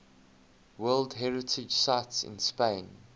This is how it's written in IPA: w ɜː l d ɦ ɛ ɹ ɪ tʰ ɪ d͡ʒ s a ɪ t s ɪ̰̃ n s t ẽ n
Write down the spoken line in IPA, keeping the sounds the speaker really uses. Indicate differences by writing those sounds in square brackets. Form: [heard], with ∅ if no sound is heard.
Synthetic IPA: w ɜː l d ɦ ɛ ɹ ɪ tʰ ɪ d͡ʒ s a ɪ t s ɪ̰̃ n s [p] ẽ n